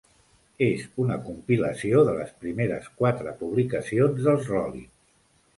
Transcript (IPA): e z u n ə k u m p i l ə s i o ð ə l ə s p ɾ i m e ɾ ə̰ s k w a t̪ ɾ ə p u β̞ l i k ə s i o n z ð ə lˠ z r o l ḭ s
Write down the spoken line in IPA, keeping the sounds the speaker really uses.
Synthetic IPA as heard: e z u n ə k u m p i l ə s i o ð ə l ə s p ɾ i m e ɾ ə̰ s k w a t̪ ɾ ə p u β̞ l i k ə s i o n z ð ə lˠ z r ɔ l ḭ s

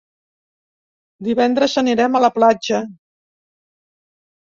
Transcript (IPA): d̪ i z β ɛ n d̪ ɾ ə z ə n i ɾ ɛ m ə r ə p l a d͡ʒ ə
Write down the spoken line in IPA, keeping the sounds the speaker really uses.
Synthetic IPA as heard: d̪ i β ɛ n d̪ ɾ ə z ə n i ɾ ɛ m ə l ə p l a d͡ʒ ə

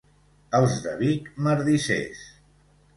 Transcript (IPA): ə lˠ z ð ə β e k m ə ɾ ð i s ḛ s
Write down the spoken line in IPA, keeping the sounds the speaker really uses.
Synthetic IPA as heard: ə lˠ z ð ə β i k m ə ɾ ð i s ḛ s

